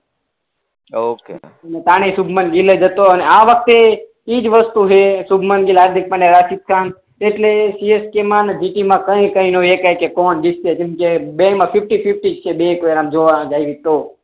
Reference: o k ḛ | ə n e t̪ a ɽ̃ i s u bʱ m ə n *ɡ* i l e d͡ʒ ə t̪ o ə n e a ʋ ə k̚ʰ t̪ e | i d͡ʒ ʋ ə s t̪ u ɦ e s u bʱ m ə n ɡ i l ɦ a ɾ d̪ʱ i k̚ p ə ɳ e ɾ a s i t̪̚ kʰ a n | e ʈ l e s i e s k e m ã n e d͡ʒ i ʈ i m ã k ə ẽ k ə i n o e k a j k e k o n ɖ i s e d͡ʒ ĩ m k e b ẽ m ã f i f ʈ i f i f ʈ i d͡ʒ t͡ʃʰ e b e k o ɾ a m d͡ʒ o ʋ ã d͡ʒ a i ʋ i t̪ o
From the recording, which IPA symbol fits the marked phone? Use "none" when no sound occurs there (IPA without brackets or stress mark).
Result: ɡ